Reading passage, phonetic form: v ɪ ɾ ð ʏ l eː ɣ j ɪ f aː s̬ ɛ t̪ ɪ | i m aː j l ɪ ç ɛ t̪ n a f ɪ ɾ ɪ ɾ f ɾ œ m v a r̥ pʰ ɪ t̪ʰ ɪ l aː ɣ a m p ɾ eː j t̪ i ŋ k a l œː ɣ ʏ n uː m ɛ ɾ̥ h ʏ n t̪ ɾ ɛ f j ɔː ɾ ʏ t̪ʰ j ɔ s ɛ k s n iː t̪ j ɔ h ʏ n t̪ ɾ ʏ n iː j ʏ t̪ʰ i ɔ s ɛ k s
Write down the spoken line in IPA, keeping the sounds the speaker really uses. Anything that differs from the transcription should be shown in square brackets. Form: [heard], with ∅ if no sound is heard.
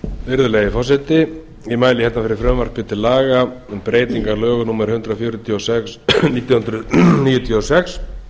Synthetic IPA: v ɪ ɾ ð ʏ l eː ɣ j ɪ f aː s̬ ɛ t̪ ɪ | i m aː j l ɪ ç ɛ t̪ n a f ɪ ɾ ɪ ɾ f ɾ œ m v a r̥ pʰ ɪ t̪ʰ ɪ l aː ɣ a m p ɾ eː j t̪ i ŋ k a l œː ɣ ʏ n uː m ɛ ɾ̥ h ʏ n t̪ ɾ [a] f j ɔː ɾ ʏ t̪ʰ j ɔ s ɛ k s n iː t̪ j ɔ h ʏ n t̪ ɾ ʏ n iː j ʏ t̪ʰ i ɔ s ɛ k s